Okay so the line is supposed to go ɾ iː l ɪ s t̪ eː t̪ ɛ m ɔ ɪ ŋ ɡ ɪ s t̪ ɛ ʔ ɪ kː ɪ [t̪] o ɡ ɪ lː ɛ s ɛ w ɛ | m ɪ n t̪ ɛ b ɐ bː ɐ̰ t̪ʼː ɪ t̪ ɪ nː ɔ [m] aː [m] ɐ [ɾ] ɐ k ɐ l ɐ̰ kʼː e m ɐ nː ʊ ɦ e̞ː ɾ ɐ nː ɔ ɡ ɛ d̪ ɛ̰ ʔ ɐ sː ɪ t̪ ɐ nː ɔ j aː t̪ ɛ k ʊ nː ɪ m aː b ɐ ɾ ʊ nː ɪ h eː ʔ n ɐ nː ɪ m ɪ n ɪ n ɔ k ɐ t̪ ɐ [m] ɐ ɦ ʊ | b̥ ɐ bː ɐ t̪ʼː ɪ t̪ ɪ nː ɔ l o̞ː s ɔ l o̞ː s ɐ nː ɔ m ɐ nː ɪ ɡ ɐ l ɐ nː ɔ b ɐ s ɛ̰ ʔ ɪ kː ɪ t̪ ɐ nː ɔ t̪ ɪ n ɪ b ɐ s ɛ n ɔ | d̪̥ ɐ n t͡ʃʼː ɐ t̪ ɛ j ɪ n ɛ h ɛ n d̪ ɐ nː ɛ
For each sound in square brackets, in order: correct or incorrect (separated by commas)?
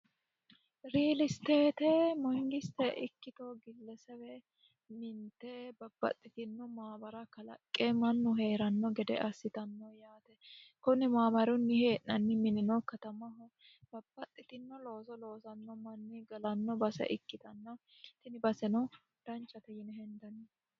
correct, correct, incorrect, correct, correct